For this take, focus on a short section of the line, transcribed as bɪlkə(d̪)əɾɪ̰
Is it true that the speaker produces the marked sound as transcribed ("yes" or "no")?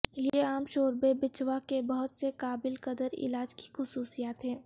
yes